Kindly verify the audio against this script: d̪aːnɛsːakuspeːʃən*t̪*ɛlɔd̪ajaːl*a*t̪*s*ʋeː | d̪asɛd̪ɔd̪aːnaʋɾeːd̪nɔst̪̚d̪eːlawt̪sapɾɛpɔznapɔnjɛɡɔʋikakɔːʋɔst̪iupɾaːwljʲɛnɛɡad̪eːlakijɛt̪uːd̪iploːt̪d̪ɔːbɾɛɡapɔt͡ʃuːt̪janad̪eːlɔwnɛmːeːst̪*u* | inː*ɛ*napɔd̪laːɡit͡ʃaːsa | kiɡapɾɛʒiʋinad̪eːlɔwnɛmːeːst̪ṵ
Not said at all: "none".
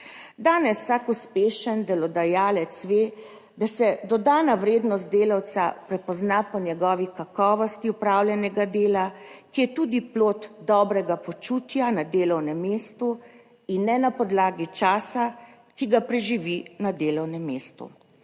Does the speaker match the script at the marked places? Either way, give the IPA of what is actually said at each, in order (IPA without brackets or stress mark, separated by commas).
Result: d̪, ɛ, s, u, ɛ